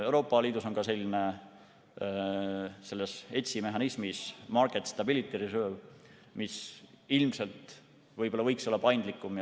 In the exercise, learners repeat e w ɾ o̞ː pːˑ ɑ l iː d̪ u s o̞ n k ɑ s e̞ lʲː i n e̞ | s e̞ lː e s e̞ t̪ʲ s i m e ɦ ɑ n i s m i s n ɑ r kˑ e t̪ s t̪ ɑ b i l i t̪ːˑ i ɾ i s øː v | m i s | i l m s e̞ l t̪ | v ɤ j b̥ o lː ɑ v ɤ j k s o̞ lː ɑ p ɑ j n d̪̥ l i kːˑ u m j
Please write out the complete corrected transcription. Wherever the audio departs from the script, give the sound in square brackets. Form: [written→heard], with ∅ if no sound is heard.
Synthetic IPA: e w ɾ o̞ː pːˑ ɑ l iː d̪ u s o̞ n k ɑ s e̞ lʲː i n e̞ | s e̞ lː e s e̞ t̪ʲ s i m e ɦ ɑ n i s m i s [n→m] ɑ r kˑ e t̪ s t̪ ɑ b i l i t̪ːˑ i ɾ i s øː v | m i s | i l m s e̞ l t̪ | v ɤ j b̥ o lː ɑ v ɤ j k s o̞ lː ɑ p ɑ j n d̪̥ l i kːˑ u m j